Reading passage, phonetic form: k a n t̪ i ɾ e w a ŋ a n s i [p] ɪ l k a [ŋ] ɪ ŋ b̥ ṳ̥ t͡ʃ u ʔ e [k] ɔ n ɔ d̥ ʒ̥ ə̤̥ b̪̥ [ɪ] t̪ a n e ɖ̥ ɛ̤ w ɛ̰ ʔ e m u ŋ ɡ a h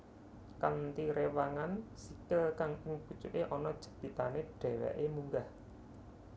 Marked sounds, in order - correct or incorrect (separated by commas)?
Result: incorrect, correct, incorrect, incorrect